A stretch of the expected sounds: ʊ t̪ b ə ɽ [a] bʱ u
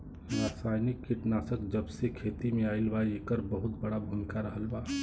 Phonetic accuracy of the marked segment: correct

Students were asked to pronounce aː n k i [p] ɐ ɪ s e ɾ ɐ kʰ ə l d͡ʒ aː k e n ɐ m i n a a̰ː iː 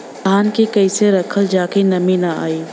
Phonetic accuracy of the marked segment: incorrect: k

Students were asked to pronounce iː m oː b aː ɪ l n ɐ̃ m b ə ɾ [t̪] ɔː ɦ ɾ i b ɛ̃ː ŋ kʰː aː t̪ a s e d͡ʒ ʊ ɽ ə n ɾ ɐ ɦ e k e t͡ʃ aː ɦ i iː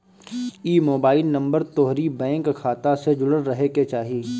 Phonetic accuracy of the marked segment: correct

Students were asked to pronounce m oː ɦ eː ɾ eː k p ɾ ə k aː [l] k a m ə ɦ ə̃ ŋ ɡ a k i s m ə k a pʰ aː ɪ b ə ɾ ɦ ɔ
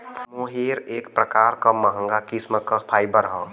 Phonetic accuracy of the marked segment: incorrect: ɾ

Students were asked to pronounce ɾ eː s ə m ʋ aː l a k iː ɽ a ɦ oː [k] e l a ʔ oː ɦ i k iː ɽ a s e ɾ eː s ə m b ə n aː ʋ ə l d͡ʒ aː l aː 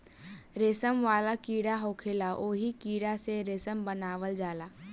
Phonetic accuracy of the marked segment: incorrect: kʰ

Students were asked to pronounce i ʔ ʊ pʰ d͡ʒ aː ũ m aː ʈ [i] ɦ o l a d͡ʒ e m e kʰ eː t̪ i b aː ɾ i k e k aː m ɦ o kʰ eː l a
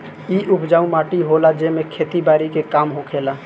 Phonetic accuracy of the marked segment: correct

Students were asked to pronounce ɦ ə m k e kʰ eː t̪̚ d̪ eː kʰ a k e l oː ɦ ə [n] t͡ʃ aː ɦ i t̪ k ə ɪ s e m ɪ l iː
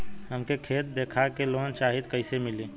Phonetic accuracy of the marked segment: correct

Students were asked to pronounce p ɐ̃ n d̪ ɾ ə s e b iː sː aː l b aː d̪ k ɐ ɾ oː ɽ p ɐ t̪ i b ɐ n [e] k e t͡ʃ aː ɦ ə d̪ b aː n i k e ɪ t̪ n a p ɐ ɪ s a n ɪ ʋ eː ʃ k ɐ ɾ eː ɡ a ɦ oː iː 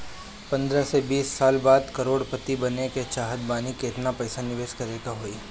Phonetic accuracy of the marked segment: correct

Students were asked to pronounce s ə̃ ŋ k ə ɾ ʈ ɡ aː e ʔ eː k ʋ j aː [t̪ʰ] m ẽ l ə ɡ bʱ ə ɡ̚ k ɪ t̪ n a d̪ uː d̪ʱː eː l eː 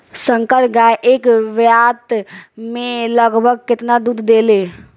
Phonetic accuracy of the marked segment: incorrect: t̪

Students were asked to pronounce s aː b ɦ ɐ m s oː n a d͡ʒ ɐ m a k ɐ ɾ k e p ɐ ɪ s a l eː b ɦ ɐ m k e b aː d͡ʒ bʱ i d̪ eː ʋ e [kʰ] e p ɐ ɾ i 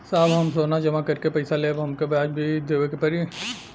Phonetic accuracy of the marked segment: incorrect: k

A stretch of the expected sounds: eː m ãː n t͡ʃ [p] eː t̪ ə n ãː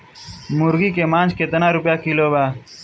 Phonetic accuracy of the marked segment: incorrect: k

